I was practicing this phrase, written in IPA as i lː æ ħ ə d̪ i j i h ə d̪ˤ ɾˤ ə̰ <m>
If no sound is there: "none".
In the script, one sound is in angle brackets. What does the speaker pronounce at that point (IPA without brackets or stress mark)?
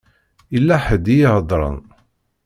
n